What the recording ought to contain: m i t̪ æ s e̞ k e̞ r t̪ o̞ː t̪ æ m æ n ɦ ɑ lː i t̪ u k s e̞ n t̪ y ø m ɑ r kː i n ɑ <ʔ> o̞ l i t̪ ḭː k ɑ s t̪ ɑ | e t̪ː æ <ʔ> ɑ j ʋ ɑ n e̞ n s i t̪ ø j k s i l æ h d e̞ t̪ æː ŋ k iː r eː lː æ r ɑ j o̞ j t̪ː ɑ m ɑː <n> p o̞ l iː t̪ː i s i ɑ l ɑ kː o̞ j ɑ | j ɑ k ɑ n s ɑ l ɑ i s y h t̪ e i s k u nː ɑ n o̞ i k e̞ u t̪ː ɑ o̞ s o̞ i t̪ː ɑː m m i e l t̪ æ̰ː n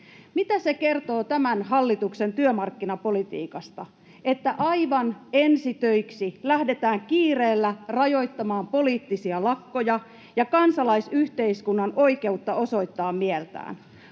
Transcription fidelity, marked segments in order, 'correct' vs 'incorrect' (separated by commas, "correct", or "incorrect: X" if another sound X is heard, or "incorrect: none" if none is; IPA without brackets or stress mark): incorrect: p, correct, incorrect: m